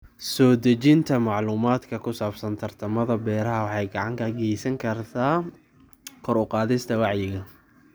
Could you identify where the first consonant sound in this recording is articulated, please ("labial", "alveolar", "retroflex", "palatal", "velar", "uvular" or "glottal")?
alveolar